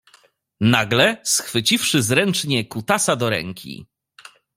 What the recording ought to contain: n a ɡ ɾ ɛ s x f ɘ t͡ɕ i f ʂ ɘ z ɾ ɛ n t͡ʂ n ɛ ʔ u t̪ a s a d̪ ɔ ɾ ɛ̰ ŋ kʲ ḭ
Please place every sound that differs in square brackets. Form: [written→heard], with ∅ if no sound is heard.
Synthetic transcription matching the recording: n a ɡ [ɾ→l] ɛ s x f ɘ t͡ɕ i f ʂ ɘ z ɾ ɛ n t͡ʂ [n→ɲ] ɛ [ʔ→k] u t̪ a s a d̪ ɔ ɾ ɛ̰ ŋ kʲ ḭ